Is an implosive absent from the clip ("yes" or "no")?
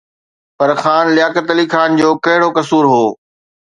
yes